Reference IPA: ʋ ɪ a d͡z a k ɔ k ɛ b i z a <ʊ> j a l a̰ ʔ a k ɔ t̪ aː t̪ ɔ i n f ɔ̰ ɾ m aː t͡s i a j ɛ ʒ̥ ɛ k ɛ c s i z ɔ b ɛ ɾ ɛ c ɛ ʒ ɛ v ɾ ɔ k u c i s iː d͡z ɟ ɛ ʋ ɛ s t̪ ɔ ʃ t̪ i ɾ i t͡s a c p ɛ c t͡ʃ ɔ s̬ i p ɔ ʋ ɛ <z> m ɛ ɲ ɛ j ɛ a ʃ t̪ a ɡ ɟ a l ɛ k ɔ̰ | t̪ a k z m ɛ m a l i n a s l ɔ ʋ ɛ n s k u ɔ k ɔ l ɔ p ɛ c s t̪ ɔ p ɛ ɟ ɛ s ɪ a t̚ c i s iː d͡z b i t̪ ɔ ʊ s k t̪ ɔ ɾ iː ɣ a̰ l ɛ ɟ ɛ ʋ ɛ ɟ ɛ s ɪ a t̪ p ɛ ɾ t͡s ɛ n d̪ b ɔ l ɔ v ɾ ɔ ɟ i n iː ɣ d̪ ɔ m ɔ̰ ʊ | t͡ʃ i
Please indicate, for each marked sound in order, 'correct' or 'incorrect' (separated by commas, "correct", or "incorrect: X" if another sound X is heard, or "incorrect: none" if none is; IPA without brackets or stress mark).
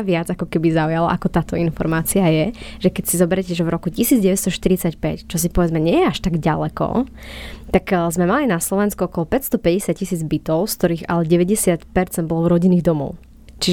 incorrect: u, incorrect: d͡z